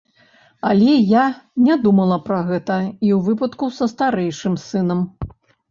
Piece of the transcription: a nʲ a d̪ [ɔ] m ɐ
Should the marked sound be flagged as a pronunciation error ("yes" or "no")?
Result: yes